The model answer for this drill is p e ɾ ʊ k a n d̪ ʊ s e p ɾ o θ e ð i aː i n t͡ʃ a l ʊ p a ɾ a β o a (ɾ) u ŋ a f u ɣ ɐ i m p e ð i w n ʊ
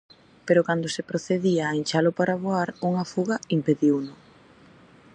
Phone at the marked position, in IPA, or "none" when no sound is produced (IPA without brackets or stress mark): ɾ